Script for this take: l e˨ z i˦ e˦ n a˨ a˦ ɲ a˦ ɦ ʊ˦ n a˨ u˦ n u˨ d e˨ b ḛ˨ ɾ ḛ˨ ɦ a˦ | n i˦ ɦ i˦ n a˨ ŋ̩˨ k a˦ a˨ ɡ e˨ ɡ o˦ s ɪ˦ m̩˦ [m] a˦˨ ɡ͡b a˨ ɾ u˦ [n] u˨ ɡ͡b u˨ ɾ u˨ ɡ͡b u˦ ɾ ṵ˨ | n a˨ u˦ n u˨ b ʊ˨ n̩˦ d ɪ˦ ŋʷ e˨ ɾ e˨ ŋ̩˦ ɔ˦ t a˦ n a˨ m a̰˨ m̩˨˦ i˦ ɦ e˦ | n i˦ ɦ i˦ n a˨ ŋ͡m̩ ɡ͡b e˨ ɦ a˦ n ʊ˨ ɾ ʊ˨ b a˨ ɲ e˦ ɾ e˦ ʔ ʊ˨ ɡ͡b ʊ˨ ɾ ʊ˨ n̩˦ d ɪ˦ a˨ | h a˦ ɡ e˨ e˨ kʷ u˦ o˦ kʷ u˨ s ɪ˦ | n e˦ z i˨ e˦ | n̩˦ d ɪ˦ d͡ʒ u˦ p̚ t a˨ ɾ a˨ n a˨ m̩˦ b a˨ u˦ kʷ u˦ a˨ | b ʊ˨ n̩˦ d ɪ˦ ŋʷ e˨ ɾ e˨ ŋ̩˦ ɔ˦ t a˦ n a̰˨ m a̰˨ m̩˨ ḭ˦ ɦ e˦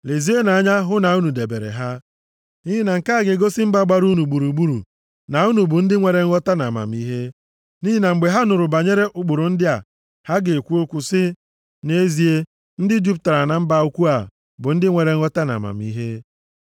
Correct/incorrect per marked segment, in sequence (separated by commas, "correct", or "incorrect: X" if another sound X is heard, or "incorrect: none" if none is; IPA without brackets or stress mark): incorrect: b, correct